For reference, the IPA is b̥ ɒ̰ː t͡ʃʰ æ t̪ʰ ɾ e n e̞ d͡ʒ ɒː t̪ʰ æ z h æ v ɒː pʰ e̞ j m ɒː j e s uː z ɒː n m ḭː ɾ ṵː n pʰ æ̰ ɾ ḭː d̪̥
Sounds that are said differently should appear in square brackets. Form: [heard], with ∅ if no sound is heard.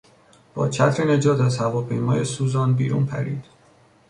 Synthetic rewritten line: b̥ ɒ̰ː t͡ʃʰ æ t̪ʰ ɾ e n e̞ d͡ʒ ɒː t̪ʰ æ z h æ v ɒː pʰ e̞ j m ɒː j e s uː z ɒː n [b] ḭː ɾ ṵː n pʰ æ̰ ɾ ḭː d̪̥